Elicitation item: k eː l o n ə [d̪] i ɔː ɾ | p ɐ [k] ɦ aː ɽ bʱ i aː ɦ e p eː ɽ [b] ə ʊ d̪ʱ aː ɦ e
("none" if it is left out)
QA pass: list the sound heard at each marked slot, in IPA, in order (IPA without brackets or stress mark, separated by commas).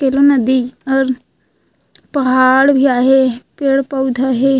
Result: d̪, none, p